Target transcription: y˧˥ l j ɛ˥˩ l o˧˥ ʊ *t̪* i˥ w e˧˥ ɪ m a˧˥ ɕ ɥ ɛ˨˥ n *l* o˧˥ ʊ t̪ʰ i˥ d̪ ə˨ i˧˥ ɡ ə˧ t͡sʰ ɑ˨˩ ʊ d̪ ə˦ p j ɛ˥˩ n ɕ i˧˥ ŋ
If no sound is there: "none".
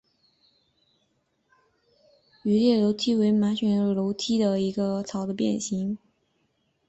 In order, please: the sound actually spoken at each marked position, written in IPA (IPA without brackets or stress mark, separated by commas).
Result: t̪ʰ, l